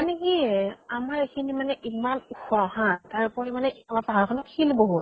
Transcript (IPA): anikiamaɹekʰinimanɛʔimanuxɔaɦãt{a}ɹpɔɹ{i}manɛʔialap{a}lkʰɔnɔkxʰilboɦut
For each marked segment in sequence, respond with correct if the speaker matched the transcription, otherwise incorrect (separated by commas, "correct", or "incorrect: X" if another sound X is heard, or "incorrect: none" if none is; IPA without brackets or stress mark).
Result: correct, correct, correct